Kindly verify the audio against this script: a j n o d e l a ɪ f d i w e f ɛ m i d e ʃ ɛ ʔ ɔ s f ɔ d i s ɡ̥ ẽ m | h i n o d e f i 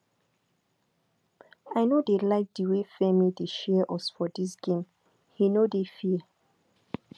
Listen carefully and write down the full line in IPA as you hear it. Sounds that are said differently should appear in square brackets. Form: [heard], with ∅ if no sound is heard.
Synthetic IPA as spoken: a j n o d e l a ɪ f d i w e f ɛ m i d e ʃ ɛ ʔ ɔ s f ɔ d i s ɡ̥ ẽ m | h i n o d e f i